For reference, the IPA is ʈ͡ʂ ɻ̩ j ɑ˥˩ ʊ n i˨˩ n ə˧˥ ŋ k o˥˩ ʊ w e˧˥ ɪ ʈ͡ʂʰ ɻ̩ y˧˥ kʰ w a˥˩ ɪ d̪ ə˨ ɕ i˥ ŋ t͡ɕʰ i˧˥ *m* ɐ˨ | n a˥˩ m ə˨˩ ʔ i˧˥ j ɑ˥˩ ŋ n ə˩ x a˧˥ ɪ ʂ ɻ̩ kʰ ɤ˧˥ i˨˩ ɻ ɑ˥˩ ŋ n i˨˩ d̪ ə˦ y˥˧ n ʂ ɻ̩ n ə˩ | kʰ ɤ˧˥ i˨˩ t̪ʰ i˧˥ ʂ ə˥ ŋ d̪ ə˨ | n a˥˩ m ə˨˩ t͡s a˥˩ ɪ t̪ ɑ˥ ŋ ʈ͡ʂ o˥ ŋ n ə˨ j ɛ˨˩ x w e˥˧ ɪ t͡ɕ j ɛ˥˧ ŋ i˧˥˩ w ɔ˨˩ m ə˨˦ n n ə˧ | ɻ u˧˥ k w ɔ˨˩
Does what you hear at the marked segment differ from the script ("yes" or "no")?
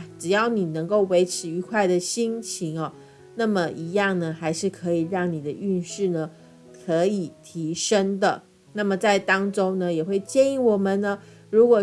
yes